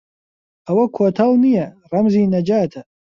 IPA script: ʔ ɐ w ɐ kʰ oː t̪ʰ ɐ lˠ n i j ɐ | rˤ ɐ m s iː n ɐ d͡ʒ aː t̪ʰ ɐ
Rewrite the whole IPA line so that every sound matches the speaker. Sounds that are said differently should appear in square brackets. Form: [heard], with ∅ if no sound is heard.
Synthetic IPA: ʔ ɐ w ɐ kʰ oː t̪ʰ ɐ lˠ n i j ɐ | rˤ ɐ m [z] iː n ɐ d͡ʒ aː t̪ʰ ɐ